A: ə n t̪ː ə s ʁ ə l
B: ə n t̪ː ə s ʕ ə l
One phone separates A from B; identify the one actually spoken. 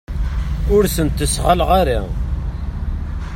A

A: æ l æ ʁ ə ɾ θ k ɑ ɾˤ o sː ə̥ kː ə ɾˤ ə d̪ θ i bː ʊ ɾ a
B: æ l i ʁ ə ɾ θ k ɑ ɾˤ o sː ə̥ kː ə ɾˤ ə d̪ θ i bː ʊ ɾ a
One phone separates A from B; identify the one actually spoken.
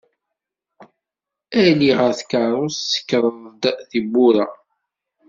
B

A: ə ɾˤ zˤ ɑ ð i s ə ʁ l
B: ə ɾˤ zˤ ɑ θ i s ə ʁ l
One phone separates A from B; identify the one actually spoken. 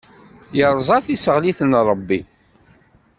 B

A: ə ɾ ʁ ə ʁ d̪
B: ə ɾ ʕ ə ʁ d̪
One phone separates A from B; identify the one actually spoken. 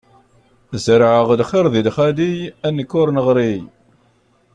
B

